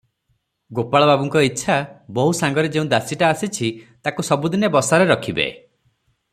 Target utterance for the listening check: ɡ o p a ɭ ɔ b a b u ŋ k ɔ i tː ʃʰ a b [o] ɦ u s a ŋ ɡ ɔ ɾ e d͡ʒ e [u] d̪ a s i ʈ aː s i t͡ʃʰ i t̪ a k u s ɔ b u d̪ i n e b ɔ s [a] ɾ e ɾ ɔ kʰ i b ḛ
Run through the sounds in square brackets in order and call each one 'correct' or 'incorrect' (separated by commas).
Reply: incorrect, incorrect, correct